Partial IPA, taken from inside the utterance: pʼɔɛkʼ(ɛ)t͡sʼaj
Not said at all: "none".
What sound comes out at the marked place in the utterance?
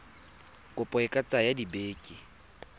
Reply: a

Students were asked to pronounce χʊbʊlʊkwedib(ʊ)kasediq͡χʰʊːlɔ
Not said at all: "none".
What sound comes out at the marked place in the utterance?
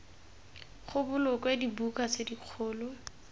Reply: u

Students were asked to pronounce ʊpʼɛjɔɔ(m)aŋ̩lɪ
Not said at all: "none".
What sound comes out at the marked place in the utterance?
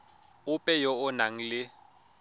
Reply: n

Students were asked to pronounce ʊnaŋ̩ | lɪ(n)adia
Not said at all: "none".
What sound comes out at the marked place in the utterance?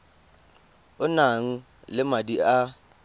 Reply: m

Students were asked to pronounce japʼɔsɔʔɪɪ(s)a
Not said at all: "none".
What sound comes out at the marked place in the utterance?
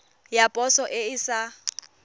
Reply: s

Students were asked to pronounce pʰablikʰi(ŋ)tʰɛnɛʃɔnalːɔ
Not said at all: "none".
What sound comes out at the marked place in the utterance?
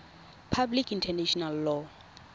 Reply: n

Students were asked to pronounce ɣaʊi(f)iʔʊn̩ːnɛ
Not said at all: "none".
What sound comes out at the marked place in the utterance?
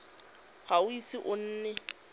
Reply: s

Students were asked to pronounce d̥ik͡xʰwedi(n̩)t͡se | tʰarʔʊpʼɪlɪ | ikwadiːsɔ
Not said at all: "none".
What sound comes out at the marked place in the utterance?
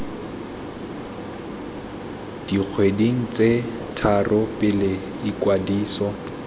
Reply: ŋ̩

